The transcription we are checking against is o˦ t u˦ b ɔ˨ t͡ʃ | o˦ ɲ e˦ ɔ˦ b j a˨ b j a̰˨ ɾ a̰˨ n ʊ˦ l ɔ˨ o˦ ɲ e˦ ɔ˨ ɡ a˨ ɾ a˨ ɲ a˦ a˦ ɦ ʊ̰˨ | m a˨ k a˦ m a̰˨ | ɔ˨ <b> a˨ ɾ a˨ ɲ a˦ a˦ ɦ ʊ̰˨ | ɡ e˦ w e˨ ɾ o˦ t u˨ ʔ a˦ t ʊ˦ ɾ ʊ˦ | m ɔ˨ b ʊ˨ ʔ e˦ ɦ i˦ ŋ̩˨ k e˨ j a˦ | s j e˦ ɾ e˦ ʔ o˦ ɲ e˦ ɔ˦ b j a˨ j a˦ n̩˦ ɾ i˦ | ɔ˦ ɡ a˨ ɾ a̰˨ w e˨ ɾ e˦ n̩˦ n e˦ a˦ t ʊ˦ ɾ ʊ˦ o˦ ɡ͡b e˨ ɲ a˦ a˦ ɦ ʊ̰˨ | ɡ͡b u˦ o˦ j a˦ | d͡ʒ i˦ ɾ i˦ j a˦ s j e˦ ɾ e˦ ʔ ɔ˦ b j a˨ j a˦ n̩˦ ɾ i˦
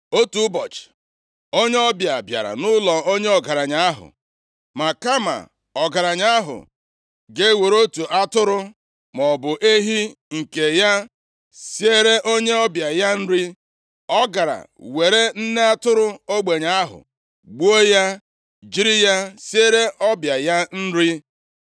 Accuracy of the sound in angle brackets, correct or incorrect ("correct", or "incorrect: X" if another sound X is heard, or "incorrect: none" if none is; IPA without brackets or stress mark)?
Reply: incorrect: ɡ